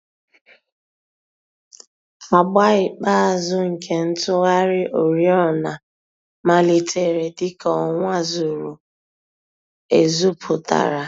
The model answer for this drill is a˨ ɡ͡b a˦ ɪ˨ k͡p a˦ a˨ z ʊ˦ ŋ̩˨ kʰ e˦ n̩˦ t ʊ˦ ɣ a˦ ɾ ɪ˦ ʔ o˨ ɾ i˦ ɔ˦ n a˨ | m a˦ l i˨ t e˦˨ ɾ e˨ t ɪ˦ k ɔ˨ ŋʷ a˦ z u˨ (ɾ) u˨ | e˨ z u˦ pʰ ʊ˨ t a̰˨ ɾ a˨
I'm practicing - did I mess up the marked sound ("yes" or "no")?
no